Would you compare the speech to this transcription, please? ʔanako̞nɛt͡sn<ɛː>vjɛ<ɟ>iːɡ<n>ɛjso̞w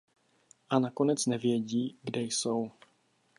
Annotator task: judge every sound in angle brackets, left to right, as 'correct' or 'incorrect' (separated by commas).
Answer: incorrect, correct, incorrect